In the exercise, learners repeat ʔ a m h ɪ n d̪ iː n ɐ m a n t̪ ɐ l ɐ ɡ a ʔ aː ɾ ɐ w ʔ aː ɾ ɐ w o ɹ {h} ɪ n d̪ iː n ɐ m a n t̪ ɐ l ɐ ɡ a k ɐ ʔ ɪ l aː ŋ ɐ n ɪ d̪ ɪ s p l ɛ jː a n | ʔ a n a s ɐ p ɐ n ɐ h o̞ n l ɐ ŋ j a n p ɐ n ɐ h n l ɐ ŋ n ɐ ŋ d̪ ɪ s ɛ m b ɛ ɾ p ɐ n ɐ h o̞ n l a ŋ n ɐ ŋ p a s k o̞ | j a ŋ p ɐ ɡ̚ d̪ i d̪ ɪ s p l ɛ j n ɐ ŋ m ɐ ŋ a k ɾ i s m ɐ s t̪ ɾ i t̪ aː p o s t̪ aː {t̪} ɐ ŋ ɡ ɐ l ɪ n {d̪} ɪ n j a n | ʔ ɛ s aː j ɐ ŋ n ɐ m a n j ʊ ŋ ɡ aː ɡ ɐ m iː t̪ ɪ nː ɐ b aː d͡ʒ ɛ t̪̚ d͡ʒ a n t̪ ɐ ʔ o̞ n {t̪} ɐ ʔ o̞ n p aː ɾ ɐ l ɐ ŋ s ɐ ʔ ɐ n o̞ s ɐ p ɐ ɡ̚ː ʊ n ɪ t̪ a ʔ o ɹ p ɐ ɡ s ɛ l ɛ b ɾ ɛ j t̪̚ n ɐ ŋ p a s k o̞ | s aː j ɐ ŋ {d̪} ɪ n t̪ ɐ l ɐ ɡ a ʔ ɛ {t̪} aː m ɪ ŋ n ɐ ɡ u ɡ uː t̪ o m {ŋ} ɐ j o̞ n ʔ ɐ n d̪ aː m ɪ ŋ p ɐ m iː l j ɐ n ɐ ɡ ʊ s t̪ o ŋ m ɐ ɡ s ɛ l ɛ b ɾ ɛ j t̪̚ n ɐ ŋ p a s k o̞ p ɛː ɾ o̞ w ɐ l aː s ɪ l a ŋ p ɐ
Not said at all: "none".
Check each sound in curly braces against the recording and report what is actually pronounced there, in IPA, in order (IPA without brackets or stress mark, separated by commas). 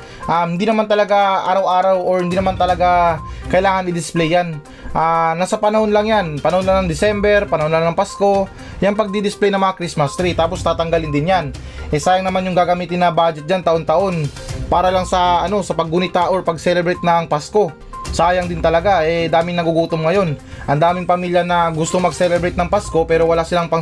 h, t̪, d̪, t̪, d̪, d̪, ŋ